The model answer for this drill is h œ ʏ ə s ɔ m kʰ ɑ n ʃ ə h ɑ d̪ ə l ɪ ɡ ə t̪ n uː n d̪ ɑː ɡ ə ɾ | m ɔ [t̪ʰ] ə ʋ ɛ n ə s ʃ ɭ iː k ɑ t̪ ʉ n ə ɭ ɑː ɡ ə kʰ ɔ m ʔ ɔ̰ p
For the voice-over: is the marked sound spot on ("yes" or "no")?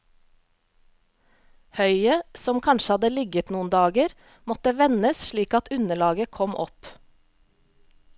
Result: no